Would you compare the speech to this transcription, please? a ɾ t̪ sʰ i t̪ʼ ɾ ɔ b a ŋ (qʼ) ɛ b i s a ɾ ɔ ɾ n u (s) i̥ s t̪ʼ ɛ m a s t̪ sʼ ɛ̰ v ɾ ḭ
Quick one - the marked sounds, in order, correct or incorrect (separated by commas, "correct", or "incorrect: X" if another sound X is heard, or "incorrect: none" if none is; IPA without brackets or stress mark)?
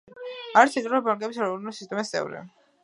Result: incorrect: kʼ, correct